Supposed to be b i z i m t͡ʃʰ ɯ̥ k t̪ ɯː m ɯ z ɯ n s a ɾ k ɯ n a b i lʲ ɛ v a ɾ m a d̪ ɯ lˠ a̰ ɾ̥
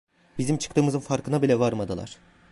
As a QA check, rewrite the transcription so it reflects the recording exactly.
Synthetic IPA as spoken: b i z i m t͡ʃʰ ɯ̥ k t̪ ɯː m ɯ z ɯ n f a ɾ k ɯ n a b i lʲ ɛ v a ɾ m a d̪ ɯ lˠ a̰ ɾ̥

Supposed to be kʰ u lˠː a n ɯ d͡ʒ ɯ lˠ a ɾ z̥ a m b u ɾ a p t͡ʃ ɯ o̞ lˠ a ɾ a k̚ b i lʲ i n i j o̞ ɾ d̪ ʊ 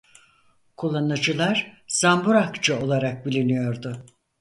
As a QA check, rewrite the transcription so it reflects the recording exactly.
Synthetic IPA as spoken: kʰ u lˠː a n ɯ d͡ʒ ɯ lˠ a ɾ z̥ a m b u ɾ a k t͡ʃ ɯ o̞ lˠ a ɾ a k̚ b i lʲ i n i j o̞ ɾ d̪ ʊ

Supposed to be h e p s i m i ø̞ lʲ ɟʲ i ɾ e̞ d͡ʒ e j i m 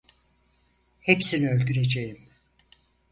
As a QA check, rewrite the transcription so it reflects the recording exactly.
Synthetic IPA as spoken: h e p s i n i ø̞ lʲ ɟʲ y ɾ e̞ d͡ʒ e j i m

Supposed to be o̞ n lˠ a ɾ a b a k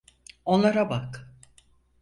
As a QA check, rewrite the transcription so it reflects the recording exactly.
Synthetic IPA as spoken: o̞ n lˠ a ɾ a b a k

